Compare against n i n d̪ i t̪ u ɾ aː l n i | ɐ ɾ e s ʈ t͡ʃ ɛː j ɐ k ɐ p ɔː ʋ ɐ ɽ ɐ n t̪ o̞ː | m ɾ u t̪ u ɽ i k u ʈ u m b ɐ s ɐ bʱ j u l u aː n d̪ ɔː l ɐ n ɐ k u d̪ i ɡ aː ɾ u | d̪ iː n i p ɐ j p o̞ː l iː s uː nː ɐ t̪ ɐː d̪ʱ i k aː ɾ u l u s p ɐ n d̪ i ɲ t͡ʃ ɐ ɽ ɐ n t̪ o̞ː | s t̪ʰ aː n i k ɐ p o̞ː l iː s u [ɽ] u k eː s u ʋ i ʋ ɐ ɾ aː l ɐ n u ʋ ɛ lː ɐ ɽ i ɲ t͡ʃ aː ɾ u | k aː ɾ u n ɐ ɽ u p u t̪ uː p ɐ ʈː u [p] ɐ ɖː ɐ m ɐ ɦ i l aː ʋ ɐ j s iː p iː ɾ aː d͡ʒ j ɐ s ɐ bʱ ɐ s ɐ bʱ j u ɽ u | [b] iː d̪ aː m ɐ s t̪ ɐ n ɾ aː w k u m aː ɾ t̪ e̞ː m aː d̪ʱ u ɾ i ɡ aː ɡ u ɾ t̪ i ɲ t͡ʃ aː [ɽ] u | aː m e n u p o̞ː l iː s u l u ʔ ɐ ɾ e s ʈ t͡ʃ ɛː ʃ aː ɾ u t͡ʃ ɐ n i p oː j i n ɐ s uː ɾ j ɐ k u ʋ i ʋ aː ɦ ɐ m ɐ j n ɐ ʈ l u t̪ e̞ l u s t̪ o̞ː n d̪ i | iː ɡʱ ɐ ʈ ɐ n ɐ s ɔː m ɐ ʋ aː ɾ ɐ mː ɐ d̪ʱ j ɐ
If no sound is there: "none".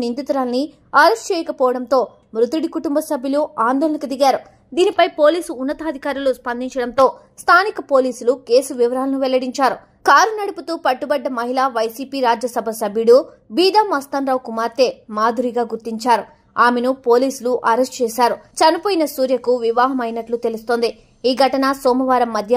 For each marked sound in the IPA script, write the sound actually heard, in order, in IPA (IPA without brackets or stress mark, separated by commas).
l, b, b, ɾ